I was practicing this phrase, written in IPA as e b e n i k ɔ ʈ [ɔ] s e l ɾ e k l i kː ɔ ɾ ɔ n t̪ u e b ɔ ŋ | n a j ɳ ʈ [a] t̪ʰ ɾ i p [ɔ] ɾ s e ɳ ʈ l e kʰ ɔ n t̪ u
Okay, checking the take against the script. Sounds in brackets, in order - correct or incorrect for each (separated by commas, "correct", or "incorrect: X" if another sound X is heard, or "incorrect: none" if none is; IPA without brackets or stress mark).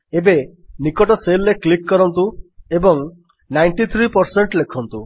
correct, incorrect: i, correct